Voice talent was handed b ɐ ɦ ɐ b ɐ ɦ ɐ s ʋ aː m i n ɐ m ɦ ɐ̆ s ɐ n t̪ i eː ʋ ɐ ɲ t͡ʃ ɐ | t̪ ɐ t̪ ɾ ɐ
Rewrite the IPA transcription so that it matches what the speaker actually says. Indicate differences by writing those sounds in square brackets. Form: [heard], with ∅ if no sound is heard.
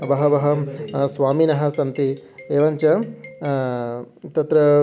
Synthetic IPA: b ɐ ɦ ɐ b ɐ ɦ ɐ s ʋ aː m i n ɐ [∅] ɦ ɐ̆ s ɐ n t̪ i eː ʋ ɐ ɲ t͡ʃ ɐ | t̪ ɐ t̪ ɾ ɐ